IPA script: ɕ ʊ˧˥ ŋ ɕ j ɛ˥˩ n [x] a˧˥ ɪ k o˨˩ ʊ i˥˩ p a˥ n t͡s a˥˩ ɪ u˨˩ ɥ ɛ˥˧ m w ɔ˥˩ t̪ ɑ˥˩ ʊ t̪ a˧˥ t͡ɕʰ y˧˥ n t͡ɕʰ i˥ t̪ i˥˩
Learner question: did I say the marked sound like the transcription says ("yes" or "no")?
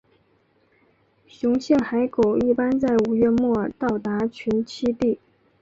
yes